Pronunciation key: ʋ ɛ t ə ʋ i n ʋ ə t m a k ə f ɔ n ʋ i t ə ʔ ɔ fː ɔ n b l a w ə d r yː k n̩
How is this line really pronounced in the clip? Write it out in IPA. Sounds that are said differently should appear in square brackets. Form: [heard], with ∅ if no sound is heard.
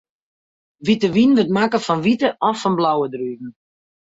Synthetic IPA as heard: ʋ [i] t ə ʋ i n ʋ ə t m a k ə f ɔ n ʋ i t ə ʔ ɔ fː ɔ n b l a w ə d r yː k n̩